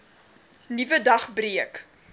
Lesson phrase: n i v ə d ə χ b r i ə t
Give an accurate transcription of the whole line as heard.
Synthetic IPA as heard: n i v ə d ɐ χ b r i ə k